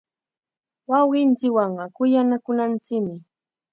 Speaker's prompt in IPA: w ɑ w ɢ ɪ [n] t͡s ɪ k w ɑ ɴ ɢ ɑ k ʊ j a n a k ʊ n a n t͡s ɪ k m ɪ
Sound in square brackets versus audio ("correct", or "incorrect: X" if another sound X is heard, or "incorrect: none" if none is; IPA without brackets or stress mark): correct